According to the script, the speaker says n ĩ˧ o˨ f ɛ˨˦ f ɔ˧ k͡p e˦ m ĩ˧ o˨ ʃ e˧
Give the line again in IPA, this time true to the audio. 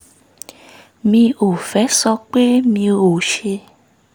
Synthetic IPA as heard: m ĩ˧ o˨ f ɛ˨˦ s ɔ˧ k͡p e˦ m ĩ˧ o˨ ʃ e˧